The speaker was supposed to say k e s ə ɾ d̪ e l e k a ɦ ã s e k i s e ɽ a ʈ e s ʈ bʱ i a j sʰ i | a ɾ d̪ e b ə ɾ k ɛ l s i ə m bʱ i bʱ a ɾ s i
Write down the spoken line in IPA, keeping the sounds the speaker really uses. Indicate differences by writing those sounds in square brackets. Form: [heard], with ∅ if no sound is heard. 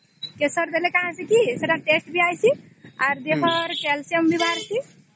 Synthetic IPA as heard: k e s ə ɾ d̪ e l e k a ɦ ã s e k i s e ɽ a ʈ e s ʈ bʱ i a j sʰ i | a ɾ d̪ e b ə ɾ k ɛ l s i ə m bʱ i bʱ a ɾ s i